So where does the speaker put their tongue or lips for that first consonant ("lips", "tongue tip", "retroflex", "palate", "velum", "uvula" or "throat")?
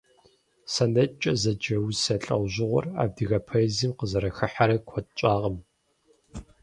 tongue tip